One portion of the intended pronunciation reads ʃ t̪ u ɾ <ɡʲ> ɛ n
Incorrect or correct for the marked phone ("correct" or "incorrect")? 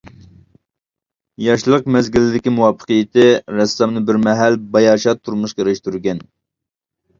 correct